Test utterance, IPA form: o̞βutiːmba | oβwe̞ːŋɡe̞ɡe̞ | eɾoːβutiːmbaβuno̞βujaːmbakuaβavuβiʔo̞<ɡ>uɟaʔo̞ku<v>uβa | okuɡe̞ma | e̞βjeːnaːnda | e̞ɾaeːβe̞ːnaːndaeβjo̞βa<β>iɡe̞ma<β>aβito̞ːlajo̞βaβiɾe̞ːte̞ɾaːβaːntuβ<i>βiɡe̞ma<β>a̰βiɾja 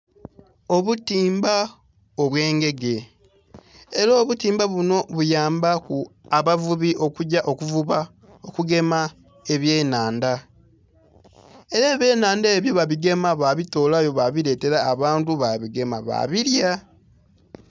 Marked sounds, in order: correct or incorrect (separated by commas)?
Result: incorrect, correct, correct, correct, incorrect, correct